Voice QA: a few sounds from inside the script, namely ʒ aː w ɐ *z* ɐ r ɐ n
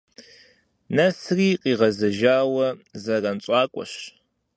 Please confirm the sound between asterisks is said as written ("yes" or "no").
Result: yes